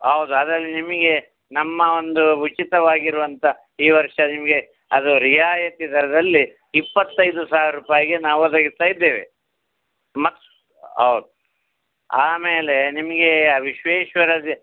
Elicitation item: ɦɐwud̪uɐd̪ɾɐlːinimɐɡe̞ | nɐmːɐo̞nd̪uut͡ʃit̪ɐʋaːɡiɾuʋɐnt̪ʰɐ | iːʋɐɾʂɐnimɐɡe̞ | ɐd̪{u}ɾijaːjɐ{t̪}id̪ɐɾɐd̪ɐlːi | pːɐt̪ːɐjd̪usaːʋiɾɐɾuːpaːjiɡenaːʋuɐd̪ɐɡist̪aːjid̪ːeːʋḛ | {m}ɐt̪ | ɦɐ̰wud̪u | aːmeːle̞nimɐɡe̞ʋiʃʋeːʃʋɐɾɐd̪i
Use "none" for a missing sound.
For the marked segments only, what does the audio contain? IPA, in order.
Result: u, t̪, m

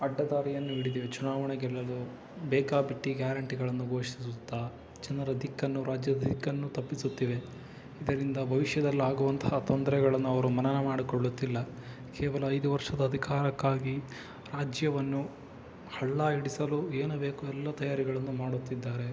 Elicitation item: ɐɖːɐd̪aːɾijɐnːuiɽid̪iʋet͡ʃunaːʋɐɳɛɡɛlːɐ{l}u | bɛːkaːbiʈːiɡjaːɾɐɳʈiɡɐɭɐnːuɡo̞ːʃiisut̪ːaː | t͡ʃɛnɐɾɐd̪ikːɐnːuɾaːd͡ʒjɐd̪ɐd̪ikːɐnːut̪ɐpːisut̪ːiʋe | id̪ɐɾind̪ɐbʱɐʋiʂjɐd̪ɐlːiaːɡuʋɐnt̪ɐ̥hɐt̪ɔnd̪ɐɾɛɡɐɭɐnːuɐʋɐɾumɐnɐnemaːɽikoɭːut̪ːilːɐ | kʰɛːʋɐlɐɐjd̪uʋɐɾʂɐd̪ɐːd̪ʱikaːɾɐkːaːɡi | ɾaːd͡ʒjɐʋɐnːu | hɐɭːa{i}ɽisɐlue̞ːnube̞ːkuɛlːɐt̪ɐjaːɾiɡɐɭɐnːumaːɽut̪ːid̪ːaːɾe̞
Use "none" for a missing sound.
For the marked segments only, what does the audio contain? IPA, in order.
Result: l, i

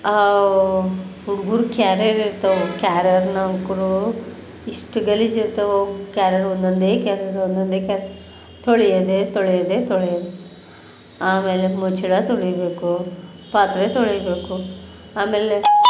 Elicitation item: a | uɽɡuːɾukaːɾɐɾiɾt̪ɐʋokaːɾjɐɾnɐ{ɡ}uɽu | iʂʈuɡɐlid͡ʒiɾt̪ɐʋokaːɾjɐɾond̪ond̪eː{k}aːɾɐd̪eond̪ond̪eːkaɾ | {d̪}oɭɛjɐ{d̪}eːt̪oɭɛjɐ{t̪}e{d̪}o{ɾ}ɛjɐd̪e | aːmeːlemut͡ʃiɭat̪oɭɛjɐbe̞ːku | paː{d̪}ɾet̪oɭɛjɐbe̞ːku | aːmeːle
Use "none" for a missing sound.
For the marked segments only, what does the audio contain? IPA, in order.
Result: k, k, t̪, d̪, d̪, t̪, ɭ, t̪

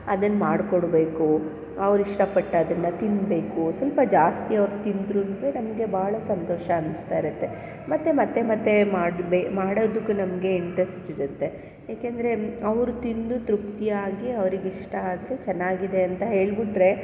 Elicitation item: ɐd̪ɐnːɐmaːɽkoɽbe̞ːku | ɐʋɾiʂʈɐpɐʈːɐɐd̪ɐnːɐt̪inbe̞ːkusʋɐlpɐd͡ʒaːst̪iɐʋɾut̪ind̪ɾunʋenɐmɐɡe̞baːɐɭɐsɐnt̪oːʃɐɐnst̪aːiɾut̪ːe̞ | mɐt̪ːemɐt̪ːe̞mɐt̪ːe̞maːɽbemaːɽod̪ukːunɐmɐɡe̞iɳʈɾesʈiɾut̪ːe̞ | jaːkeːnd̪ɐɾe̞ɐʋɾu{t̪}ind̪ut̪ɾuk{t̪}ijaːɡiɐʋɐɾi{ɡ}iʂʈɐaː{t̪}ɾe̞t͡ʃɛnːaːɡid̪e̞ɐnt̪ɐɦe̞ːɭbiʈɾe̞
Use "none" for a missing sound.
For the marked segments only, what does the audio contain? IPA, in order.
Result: t̪, t̪, ɡ, d̪

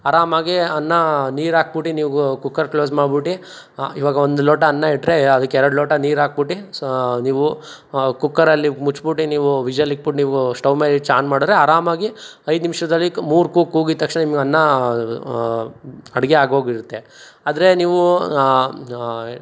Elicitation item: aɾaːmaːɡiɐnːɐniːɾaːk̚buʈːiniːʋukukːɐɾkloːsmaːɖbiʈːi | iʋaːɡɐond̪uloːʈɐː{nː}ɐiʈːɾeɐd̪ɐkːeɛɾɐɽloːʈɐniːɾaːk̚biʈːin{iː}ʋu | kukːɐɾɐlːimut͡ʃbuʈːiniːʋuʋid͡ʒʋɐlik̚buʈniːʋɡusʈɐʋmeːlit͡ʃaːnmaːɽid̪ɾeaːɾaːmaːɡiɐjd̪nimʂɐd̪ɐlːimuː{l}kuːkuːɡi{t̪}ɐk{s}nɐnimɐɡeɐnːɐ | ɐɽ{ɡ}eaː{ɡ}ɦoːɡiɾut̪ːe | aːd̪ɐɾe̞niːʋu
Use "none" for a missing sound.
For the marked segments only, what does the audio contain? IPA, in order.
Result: nː, iː, ɾ, t̪, ʂ, ɡ, ɡ

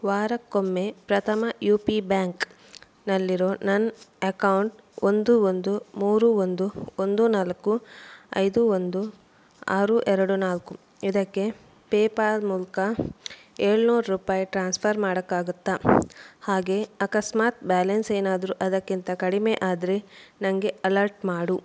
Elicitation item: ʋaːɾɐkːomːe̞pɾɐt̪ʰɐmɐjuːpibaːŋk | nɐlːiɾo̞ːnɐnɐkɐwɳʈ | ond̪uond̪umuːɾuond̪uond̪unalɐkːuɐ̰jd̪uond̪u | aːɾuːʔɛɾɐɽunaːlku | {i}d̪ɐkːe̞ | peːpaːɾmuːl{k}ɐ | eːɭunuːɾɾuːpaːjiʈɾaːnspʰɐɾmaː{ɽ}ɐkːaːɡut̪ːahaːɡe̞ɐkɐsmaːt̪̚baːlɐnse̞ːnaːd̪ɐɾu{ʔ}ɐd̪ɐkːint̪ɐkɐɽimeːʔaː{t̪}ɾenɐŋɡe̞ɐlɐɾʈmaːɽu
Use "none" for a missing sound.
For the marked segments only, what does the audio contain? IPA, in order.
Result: i, k, ɽ, ʔ, d̪

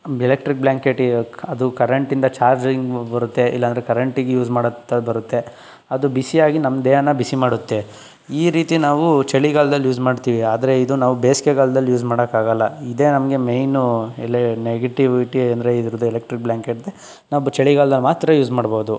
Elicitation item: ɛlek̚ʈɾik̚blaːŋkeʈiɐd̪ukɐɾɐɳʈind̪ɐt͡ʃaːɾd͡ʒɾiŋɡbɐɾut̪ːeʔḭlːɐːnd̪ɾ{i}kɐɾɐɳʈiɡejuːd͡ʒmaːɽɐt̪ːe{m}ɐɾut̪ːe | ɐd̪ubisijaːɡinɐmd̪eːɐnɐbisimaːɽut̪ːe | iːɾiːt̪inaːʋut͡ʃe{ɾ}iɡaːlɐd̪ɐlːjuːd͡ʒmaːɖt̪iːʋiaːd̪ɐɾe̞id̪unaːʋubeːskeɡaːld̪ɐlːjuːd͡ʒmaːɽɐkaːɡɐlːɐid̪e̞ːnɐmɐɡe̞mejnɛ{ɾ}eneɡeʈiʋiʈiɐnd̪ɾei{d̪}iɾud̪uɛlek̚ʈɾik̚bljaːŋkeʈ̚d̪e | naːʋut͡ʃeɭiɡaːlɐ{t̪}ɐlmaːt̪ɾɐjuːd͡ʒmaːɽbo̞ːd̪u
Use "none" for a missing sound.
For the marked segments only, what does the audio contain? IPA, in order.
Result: e, b, ɭ, l, d̪, d̪

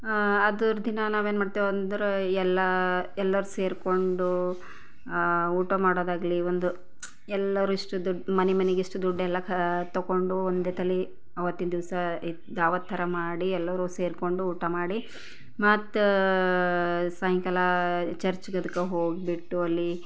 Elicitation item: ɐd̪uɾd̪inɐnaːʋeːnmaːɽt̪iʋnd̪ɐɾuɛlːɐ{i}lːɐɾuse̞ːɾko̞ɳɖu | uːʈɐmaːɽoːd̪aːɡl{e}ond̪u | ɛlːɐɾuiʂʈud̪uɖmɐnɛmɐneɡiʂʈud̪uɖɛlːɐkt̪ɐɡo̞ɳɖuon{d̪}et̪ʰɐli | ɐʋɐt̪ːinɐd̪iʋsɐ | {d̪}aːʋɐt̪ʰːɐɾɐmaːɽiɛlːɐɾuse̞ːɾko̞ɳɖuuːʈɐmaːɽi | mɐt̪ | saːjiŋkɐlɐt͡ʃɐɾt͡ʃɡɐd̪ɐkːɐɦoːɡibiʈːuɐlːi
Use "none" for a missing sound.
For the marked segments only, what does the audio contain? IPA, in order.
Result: ɛ, i, d̪, d̪

